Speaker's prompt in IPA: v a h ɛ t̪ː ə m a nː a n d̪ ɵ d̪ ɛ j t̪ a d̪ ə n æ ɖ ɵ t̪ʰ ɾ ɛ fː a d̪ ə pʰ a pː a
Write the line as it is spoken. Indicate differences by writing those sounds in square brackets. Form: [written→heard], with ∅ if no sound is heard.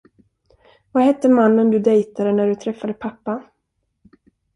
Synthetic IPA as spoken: v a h ɛ t̪ː ə m a nː [a→ə] n d̪ ɵ d̪ ɛ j t̪ a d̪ ə n æ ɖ ɵ t̪ʰ ɾ ɛ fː a d̪ ə pʰ a pː a